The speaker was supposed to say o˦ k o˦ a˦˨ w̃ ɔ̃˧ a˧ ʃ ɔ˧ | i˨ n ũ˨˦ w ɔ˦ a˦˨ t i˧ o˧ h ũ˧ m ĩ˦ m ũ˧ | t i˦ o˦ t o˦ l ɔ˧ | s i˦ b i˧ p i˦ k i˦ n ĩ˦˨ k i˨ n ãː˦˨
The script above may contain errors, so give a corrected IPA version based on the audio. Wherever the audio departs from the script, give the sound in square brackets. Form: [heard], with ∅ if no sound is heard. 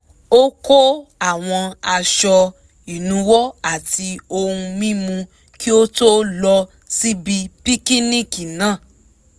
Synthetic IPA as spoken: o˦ k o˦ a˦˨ w̃ ɔ̃˧ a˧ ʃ ɔ˧ | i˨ n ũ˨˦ w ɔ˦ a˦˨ t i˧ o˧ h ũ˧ m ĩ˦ m ũ˧ | [k] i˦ o˦ t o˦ l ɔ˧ | s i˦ b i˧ p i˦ k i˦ n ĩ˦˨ k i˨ n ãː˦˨